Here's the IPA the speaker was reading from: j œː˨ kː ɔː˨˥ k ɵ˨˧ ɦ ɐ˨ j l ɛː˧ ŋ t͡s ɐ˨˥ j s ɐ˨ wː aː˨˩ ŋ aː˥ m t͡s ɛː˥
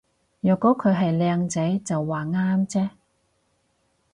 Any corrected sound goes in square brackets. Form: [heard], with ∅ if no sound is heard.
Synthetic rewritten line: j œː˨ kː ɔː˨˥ [kʰ] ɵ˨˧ ɦ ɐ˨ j l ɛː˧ ŋ t͡s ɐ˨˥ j [t͡s] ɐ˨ wː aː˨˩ ŋ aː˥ m t͡s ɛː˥